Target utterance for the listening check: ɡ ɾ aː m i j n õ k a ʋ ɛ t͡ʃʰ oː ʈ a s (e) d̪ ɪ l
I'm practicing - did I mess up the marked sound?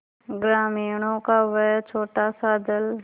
yes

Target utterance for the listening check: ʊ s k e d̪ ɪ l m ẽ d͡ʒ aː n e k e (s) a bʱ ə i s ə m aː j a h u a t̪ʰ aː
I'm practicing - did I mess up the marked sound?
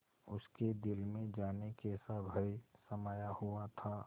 no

